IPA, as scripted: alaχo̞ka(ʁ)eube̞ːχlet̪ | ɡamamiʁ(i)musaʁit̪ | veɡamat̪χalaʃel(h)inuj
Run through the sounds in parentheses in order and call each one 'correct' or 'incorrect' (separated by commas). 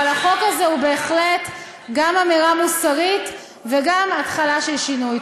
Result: incorrect, incorrect, incorrect